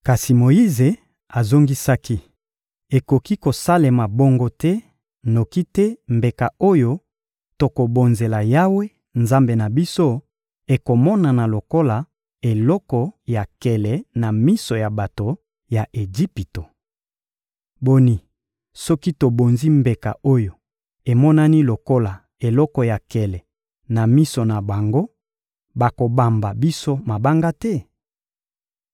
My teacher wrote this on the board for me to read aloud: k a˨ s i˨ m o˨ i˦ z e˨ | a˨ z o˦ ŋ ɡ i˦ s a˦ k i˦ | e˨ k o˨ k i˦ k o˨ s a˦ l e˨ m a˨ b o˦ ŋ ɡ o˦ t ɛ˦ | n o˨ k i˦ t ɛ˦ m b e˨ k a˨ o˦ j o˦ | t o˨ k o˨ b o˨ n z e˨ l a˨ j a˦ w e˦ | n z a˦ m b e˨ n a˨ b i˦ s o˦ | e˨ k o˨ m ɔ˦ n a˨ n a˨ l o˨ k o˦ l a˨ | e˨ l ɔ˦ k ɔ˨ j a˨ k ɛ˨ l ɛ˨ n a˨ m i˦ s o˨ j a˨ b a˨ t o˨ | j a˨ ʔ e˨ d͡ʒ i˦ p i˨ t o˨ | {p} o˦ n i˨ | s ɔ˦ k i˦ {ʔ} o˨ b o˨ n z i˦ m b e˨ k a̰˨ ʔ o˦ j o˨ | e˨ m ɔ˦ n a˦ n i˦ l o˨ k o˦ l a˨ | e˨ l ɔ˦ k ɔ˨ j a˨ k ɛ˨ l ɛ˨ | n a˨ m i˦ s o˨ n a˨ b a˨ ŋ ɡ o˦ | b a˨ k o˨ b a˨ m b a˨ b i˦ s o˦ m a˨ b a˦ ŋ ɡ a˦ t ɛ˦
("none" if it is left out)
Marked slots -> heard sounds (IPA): b, t

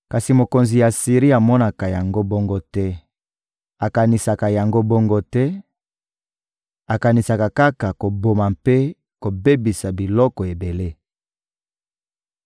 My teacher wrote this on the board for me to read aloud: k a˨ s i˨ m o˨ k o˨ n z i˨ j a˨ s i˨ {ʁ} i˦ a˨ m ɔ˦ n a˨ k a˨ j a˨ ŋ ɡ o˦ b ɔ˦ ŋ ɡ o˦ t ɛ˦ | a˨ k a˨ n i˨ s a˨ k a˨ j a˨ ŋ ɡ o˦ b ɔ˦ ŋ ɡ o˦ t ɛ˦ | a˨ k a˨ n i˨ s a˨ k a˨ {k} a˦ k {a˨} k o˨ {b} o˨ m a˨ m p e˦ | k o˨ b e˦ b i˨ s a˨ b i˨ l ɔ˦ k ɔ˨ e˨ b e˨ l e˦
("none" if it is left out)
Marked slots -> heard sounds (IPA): ʁ, k, a˨, b

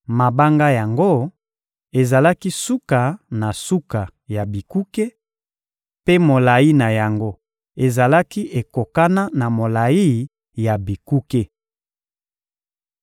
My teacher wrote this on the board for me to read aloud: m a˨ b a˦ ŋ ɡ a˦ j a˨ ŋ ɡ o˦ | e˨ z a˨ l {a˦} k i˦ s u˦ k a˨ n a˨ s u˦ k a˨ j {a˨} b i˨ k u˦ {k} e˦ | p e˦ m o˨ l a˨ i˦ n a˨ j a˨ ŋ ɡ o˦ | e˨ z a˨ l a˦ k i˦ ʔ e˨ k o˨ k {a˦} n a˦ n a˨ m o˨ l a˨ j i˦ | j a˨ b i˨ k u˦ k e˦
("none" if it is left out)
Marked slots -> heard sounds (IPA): a˦, a˨, k, a˦

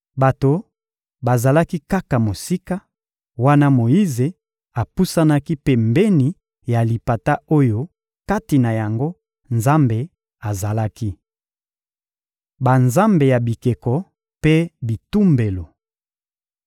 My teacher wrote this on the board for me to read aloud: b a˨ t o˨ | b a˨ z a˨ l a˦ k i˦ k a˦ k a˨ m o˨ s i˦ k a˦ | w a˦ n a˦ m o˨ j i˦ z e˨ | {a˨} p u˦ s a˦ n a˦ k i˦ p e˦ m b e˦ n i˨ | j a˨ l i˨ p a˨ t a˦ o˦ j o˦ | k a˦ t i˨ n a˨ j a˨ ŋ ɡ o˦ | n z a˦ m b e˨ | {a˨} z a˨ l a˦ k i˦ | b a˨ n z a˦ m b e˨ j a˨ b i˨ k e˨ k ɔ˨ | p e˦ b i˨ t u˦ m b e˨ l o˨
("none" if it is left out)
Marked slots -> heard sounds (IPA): a˨, a˨

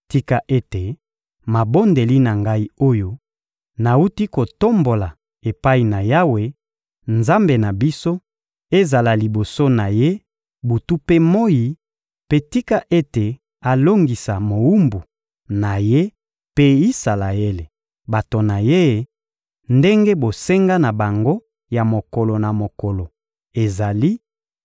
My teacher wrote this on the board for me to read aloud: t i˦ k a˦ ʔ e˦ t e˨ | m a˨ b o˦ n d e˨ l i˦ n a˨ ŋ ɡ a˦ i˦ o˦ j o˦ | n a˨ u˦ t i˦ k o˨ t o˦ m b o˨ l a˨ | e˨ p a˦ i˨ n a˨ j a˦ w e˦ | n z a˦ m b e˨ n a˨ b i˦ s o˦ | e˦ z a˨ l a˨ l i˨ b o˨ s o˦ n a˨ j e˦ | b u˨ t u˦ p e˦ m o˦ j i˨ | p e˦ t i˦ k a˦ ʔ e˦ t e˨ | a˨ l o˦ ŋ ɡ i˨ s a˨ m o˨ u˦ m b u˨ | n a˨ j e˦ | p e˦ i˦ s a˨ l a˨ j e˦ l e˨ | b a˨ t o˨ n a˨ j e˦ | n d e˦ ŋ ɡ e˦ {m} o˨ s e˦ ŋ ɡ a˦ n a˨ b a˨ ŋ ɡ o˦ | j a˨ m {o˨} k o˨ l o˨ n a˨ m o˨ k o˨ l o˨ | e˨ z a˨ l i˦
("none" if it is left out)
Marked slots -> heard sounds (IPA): b, o˨

